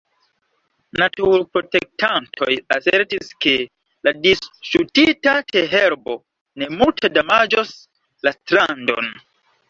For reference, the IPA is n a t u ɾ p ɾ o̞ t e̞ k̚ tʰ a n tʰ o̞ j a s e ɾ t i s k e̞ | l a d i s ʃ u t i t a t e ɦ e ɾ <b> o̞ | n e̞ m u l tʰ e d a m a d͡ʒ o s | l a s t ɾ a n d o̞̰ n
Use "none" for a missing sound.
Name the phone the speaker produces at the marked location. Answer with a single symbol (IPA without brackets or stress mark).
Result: b